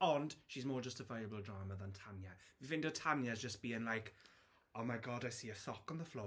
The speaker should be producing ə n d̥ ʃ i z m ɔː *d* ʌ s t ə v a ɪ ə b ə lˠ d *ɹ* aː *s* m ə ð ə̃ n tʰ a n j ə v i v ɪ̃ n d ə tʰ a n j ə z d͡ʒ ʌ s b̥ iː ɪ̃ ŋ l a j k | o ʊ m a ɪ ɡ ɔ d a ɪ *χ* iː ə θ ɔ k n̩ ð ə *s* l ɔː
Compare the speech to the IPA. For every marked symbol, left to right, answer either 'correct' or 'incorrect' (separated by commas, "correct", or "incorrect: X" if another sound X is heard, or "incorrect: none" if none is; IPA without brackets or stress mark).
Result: incorrect: d͡ʒ, correct, incorrect: none, incorrect: s, incorrect: f